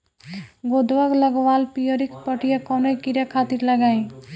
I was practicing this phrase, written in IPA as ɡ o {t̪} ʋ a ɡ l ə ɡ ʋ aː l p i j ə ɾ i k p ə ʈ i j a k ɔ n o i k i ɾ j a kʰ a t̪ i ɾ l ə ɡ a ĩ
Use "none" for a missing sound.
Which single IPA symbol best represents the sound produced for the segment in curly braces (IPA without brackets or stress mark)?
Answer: d̪